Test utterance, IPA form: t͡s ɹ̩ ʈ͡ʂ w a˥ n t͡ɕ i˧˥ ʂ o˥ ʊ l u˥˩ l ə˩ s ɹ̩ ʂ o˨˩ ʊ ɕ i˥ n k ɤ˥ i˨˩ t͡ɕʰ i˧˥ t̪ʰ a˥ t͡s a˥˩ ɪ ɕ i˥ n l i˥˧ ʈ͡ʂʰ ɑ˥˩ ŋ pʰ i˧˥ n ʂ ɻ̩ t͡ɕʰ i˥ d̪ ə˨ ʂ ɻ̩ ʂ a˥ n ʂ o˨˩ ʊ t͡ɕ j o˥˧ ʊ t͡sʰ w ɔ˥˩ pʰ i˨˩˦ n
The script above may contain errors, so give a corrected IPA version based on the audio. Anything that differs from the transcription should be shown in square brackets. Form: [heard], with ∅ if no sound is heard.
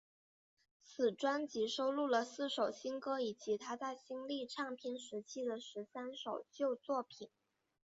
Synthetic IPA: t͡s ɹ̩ ʈ͡ʂ w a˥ n t͡ɕ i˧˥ ʂ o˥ ʊ l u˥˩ l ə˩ s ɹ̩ ʂ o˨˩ ʊ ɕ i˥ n k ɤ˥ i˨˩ [t͡ɕ] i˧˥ t̪ʰ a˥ t͡s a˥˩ ɪ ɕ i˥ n l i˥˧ ʈ͡ʂʰ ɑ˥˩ ŋ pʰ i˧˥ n ʂ ɻ̩ t͡ɕʰ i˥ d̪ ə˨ ʂ ɻ̩ [s] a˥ n ʂ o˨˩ ʊ t͡ɕ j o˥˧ ʊ [t͡s] w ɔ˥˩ pʰ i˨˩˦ n